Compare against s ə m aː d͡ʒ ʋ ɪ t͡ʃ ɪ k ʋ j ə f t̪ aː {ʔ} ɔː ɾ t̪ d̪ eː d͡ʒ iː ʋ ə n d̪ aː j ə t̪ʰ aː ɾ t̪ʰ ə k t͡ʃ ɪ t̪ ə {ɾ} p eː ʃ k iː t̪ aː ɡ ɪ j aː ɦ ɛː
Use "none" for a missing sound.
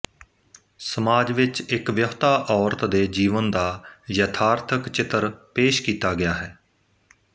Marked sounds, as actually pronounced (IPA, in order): ʔ, ɾ

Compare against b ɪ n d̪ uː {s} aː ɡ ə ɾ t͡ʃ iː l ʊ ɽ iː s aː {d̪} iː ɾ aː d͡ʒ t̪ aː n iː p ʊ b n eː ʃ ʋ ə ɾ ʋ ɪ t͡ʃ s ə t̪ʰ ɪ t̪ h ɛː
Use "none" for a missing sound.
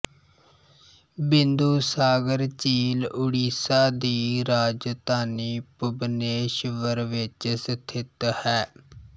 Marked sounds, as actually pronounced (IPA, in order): s, d̪

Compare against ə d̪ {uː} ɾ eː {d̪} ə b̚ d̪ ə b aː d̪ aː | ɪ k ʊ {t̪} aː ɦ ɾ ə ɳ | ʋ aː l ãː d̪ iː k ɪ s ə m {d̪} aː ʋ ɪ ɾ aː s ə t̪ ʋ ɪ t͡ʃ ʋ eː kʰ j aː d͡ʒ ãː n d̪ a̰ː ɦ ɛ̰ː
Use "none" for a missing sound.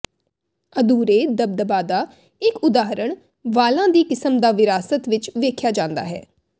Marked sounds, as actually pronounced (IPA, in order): uː, d̪, d̪, d̪

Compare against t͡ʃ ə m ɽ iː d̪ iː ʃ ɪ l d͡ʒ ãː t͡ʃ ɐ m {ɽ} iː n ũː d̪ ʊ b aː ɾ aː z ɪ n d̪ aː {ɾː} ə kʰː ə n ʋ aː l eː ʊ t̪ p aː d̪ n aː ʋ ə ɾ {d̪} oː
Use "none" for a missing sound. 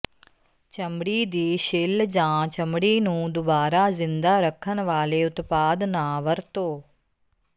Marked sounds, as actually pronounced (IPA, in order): ɽ, ɾ, t̪

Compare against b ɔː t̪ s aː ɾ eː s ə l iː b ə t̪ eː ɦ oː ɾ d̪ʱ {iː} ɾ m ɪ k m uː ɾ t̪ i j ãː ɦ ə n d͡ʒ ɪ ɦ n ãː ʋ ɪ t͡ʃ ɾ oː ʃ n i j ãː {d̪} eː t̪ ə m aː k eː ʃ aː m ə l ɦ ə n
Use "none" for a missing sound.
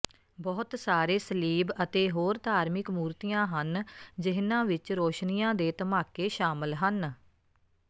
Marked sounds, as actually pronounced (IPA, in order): aː, d̪

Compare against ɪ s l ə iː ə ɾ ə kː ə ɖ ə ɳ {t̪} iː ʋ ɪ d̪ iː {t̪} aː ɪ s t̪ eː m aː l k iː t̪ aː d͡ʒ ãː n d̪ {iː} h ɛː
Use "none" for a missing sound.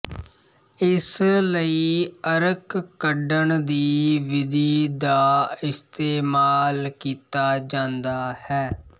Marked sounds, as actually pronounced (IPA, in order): d̪, d̪, aː

